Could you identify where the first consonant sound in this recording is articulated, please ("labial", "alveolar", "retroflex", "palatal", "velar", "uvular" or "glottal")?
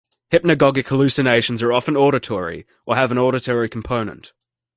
glottal